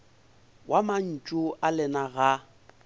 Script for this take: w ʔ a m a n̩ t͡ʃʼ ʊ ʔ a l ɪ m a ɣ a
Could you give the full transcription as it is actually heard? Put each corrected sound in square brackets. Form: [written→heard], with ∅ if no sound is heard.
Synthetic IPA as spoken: w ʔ a m a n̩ t͡ʃʼ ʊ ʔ a l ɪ [m→n] a ɣ a